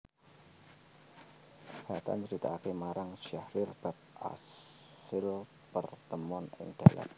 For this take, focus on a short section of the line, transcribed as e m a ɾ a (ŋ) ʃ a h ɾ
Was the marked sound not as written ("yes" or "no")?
no